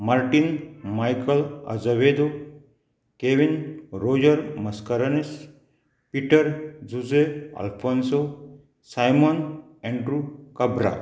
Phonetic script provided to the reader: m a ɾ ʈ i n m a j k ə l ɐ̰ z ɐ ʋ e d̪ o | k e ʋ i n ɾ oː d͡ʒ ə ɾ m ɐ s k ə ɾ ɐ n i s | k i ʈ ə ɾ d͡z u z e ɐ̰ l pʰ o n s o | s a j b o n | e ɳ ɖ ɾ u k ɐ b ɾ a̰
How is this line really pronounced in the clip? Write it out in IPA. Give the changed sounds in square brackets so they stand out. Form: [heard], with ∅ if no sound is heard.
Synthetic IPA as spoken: m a ɾ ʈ i n m a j k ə l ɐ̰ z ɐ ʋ e d̪ o | k e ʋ i n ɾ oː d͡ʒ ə ɾ m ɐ s k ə ɾ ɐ n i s | [p] i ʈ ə ɾ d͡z u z e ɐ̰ l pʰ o n s o | s a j [m] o n | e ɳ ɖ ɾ u k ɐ b ɾ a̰